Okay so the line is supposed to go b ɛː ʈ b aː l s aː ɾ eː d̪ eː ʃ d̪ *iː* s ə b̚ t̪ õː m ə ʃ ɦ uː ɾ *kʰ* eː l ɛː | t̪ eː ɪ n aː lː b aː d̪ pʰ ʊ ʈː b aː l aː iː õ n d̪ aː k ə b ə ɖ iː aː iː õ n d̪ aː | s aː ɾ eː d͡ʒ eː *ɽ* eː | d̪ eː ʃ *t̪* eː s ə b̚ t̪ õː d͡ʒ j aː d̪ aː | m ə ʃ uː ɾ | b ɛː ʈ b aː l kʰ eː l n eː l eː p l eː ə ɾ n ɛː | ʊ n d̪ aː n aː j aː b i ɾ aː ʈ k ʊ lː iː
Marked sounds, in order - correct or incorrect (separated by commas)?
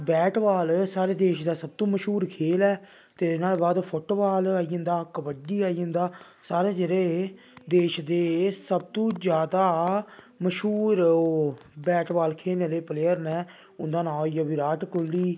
incorrect, correct, incorrect, incorrect